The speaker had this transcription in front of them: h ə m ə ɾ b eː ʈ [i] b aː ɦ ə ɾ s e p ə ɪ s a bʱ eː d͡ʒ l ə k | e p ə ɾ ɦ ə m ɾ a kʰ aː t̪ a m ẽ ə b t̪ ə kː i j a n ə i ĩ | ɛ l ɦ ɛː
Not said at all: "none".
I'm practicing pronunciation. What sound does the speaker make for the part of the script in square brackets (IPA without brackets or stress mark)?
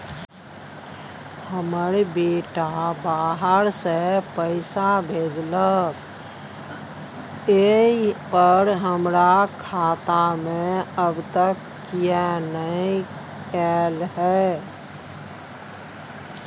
a